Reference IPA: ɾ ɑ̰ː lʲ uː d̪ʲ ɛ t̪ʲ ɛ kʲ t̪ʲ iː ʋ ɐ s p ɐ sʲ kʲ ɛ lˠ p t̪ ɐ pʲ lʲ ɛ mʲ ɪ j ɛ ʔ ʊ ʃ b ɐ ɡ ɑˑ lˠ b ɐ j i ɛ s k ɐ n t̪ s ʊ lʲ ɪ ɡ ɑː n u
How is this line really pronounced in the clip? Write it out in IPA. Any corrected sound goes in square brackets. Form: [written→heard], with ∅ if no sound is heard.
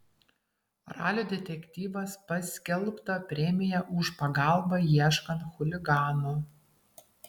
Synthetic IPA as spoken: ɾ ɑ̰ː lʲ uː d̪ʲ ɛ t̪ʲ ɛ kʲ t̪ʲ iː ʋ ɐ s p ɐ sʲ kʲ ɛ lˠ p t̪ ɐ pʲ [lʲ→ɾʲ] ɛ mʲ ɪ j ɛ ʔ ʊ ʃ [b→p] ɐ ɡ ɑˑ lˠ b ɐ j i ɛ [s→ʃ] k ɐ n t̪ [s→x] ʊ lʲ ɪ ɡ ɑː n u